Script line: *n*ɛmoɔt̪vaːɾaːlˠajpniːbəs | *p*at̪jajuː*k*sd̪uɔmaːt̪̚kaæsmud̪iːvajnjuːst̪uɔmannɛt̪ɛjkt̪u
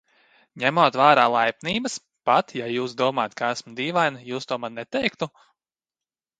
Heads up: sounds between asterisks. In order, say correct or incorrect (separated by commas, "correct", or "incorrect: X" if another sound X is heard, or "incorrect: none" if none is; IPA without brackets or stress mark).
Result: incorrect: ɲ, correct, incorrect: none